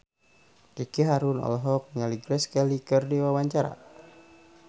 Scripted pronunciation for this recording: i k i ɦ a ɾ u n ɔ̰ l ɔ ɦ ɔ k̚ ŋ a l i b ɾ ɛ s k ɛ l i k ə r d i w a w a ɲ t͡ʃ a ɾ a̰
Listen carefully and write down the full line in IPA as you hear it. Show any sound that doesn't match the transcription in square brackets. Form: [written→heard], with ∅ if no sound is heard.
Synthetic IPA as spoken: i k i ɦ a ɾ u n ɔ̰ l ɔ ɦ ɔ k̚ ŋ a l i [b→ɡ] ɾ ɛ s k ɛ l i k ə r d i w a w a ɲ t͡ʃ a ɾ a̰